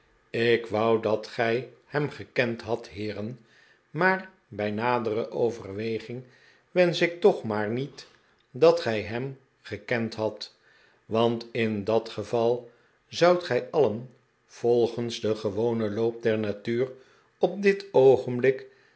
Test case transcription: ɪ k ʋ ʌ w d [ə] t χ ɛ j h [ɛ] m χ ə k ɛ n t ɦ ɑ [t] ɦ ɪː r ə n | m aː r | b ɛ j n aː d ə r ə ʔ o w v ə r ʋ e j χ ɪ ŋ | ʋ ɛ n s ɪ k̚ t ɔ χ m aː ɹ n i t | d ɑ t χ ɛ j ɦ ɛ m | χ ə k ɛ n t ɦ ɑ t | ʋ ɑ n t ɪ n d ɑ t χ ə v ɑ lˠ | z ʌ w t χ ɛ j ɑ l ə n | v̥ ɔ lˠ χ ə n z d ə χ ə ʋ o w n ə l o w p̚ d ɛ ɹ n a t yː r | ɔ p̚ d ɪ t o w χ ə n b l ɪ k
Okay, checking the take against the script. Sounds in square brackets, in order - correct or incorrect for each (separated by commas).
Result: incorrect, correct, correct